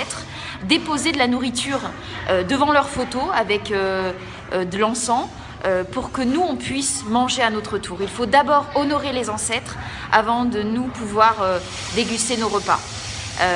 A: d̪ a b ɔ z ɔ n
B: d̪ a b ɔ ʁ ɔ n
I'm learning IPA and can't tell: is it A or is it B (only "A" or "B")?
B